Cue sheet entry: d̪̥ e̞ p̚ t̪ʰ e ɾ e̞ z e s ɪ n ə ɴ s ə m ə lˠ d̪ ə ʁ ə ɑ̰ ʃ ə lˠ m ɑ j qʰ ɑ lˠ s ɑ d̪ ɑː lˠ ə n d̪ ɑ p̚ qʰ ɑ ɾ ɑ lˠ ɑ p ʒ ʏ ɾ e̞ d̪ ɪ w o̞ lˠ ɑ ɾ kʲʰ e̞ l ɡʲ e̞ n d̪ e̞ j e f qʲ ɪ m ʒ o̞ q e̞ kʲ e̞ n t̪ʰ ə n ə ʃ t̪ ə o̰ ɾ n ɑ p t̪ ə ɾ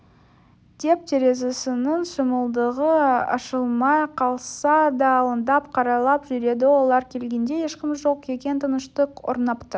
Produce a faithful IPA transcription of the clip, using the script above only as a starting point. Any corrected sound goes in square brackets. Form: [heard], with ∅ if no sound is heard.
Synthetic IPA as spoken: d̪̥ e̞ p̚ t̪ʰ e ɾ e̞ z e s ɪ n ə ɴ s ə m ə lˠ d̪ ə ʁ ə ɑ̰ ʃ ə lˠ m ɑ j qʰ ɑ lˠ s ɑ d̪ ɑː lˠ ə n d̪ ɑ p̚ qʰ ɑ ɾ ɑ lˠ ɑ p ʒ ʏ ɾ e̞ d̪ ɪ w o̞ lˠ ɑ ɾ kʲʰ e̞ l ɡʲ e̞ n d̪ e̞ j e [ʃ] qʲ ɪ m ʒ o̞ q e̞ kʲ e̞ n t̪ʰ ə n ə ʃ t̪ ə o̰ ɾ n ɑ p t̪ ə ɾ